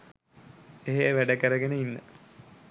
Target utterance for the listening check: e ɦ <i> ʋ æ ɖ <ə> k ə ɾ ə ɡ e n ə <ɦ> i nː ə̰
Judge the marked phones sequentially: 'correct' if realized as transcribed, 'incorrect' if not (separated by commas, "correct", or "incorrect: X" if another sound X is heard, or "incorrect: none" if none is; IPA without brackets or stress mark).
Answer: incorrect: e, correct, incorrect: none